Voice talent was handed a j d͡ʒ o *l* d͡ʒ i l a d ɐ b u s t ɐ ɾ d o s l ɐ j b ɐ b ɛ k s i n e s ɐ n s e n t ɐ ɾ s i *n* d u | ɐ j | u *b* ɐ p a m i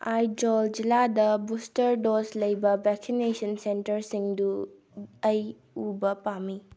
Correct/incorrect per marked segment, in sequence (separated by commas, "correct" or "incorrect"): correct, incorrect, correct